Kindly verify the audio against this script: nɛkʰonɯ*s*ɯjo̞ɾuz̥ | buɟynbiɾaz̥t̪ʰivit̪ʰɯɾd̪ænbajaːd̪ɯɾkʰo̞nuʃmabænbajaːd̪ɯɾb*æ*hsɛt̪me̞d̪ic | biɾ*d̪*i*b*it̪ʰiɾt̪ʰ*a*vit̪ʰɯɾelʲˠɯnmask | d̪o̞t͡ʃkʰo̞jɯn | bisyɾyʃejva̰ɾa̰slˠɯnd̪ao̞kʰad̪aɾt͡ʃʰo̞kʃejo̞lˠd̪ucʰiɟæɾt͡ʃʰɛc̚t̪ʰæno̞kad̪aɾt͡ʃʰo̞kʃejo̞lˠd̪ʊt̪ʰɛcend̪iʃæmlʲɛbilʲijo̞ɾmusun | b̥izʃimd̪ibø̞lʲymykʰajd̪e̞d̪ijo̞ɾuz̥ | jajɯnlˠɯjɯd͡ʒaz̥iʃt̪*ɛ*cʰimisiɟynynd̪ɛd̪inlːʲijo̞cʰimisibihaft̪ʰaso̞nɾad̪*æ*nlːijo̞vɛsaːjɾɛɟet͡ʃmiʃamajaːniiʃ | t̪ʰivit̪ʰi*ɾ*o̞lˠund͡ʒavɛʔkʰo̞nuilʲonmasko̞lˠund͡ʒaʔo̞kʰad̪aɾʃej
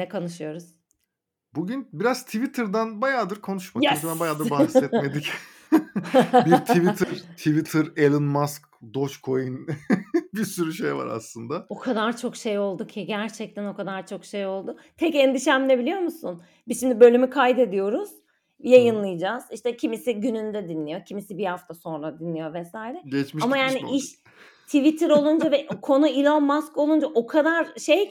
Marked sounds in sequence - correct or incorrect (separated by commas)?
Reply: incorrect, incorrect, incorrect, incorrect, incorrect, correct, incorrect, correct